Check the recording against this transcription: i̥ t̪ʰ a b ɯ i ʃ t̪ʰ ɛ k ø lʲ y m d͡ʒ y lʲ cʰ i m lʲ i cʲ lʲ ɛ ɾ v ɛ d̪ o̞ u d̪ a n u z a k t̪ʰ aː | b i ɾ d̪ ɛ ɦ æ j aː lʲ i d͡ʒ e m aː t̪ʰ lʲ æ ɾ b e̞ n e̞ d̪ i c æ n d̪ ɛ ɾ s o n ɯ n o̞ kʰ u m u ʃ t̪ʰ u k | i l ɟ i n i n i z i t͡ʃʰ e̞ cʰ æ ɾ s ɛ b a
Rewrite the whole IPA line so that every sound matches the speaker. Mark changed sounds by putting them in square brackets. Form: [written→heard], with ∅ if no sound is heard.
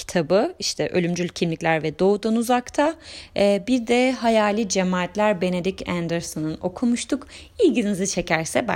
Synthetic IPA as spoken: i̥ t̪ʰ a b ɯ i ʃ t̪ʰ ɛ [k→ʔ] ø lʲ y m d͡ʒ y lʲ cʰ i m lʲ i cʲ lʲ [ɛ→æ] ɾ v ɛ d̪ o̞ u d̪ a n u z a k t̪ʰ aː | b i ɾ d̪ ɛ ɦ [æ→a] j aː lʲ i d͡ʒ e m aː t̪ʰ lʲ æ ɾ b e̞ n e̞ d̪ i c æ n d̪ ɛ ɾ s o n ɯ n o̞ kʰ u m u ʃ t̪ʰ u k | i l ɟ i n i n i z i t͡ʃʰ e̞ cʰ æ ɾ s ɛ b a